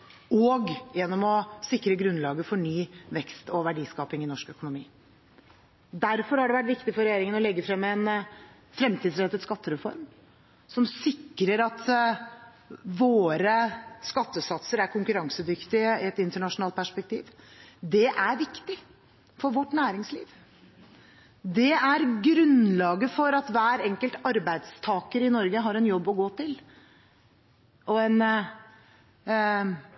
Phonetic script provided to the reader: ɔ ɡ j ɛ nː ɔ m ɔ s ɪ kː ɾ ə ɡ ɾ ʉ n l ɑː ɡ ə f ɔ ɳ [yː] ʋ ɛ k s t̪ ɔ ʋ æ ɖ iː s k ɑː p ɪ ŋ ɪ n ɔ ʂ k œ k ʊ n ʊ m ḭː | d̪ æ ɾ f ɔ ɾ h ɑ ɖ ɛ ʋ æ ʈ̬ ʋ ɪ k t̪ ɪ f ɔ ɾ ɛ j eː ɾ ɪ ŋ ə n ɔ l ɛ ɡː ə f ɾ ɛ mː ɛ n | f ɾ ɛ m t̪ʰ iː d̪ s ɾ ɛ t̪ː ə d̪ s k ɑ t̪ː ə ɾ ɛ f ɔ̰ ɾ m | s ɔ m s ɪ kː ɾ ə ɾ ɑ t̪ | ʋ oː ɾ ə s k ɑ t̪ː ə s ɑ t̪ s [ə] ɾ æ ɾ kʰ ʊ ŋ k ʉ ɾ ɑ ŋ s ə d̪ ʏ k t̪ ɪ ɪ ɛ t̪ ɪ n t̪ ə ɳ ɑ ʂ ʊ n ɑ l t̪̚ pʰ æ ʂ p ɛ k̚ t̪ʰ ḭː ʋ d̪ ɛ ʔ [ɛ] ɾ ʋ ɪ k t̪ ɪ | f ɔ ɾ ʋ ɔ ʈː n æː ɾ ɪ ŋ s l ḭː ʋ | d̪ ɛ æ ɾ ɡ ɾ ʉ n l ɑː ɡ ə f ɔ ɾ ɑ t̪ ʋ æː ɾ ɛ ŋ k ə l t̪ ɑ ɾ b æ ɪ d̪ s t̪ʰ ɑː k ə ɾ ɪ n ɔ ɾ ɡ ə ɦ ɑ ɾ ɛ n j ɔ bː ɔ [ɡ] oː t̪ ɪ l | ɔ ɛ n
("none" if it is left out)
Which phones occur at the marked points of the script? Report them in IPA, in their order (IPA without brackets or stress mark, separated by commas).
yː, ə, æ, ɡ